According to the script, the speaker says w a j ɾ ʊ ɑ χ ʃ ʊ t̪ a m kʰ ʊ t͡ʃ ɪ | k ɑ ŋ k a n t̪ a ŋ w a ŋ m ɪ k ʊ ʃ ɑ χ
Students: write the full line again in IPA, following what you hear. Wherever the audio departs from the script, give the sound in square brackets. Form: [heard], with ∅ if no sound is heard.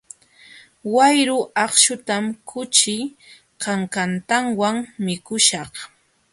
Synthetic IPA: w a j ɾ ʊ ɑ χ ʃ ʊ t̪ a m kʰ ʊ t͡ʃ ɪ | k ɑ ŋ k a n t̪ a ŋ w a ŋ m ɪ k ʊ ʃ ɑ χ